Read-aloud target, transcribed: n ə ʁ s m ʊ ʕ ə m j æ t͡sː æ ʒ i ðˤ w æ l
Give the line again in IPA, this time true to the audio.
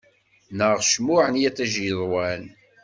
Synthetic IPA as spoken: n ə ʁ ʃ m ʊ ʕ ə n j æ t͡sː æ ʒ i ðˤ w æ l